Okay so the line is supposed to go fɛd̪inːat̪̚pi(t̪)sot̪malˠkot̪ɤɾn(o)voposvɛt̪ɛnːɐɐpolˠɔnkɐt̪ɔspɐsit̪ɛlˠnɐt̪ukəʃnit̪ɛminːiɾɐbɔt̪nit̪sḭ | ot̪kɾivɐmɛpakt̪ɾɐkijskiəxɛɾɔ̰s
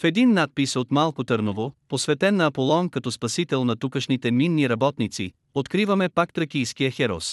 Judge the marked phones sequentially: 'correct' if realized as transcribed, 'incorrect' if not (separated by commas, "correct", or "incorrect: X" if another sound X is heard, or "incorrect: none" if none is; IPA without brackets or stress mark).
incorrect: none, correct